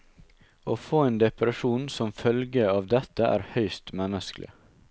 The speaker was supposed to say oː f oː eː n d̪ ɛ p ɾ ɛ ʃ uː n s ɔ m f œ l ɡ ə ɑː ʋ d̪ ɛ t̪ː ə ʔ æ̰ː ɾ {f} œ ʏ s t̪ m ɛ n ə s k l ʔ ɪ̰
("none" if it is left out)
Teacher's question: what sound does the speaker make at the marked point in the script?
h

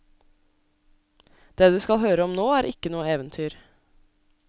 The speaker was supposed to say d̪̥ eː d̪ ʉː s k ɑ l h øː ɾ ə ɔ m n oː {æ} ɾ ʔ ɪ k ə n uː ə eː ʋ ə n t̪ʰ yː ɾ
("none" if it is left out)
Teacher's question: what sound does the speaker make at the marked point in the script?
æː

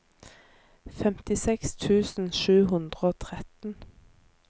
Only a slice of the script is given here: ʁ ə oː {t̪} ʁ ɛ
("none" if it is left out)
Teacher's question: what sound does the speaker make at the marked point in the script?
t̪ʰ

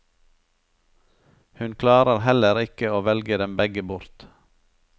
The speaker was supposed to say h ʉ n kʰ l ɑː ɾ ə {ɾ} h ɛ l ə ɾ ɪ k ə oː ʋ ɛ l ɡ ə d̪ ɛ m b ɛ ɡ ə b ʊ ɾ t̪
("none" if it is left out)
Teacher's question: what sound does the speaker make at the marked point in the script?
ɾ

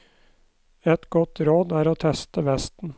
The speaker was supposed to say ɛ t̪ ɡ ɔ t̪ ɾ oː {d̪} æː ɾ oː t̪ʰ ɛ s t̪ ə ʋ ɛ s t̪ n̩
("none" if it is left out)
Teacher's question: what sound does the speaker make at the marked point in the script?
d̪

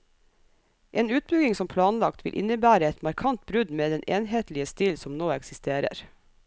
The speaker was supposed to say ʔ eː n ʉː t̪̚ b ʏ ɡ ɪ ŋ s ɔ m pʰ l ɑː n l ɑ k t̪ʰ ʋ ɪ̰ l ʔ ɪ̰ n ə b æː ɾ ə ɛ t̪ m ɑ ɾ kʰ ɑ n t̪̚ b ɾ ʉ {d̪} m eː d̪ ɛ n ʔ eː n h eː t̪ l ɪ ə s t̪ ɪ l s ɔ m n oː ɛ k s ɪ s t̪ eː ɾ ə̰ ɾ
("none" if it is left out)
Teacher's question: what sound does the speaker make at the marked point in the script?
d̪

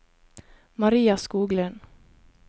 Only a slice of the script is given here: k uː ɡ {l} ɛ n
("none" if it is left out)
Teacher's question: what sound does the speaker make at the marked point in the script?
l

